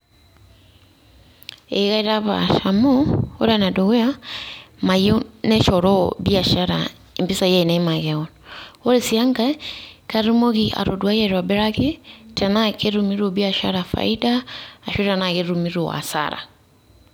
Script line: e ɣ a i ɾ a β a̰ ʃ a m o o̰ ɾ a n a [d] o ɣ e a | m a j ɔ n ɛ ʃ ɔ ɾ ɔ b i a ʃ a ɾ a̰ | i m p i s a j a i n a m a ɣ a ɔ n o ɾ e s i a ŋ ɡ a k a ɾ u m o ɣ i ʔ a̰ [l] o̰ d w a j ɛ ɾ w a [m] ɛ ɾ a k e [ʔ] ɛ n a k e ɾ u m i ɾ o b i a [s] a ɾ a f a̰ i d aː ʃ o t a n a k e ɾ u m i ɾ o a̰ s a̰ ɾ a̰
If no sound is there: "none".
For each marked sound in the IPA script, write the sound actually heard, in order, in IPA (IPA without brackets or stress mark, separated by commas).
d, ɾ, b, t, ʃ